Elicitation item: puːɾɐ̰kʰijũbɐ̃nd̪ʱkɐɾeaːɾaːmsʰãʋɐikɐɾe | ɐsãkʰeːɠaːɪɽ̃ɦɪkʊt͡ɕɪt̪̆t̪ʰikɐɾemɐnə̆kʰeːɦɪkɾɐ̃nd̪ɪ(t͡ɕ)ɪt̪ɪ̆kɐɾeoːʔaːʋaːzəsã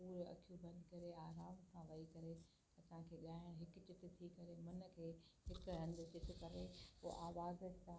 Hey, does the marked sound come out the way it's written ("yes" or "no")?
yes